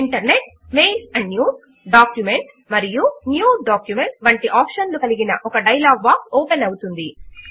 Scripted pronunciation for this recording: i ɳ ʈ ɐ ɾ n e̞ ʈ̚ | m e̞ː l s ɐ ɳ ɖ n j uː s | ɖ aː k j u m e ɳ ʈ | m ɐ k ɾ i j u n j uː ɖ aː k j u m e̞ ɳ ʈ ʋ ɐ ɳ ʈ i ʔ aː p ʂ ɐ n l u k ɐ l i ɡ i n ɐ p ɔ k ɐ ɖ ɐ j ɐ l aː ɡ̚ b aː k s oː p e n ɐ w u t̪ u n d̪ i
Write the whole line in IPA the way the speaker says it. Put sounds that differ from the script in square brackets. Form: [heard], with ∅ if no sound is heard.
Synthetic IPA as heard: i ɳ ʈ ɐ ɾ n e̞ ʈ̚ | m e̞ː l s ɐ ɳ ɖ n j uː s | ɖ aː k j u m e ɳ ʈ | m ɐ [∅] ɾ i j u n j uː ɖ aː k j u m e̞ ɳ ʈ ʋ ɐ ɳ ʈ i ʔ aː p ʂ ɐ n l u k ɐ l i ɡ i n ɐ [ʔ] ɔ k ɐ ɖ ɐ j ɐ l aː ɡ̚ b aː k s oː p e n ɐ w u t̪ u n d̪ i